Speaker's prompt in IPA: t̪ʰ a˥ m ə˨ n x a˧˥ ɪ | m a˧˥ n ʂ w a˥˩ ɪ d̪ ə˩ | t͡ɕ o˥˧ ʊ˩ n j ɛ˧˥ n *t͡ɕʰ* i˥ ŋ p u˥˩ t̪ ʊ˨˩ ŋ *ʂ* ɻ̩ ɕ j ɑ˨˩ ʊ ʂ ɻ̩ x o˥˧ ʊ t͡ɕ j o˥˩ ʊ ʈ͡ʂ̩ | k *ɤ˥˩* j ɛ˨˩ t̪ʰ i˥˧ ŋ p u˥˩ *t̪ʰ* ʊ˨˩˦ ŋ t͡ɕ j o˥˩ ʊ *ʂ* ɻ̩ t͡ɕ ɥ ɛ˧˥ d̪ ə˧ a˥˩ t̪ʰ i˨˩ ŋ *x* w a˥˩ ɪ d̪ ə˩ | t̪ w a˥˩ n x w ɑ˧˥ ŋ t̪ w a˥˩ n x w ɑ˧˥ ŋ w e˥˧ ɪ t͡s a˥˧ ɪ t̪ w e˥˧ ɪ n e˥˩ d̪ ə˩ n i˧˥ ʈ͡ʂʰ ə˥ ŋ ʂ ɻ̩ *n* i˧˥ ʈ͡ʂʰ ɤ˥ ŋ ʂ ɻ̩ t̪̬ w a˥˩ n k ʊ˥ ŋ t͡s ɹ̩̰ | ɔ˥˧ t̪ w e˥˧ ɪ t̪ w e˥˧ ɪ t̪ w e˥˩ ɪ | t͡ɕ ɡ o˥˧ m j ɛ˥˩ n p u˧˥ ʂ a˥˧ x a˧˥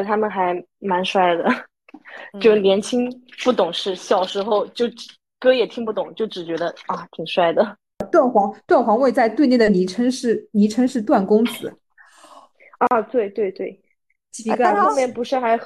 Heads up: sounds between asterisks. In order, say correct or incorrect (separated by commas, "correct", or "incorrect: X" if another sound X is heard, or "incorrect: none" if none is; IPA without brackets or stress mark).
correct, correct, incorrect: ɤ˥, incorrect: t̪, incorrect: ʈ͡ʂ, incorrect: ʂ, correct